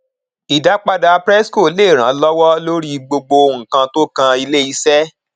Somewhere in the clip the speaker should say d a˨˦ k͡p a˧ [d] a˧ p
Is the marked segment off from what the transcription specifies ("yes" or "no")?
no